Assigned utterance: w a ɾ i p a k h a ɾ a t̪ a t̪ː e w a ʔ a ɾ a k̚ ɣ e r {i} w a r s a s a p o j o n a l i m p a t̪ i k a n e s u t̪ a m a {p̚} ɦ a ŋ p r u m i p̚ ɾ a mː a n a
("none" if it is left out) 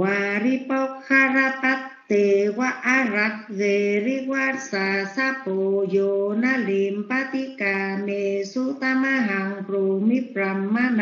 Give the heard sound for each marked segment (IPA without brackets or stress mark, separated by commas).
i, none